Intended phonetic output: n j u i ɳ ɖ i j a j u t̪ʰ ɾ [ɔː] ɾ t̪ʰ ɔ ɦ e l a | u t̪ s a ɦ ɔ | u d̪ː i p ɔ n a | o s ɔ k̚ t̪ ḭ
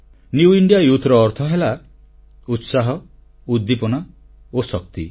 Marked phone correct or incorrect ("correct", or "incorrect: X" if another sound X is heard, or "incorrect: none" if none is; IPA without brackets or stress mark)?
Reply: correct